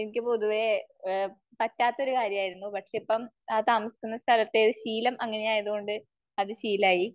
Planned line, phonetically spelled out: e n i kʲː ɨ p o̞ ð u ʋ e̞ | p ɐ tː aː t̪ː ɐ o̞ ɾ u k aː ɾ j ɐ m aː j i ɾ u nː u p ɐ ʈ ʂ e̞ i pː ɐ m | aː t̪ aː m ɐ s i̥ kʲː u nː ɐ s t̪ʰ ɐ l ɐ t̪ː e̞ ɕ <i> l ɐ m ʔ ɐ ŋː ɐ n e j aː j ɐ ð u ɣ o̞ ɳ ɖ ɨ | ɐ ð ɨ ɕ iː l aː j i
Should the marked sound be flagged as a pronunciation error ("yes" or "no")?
yes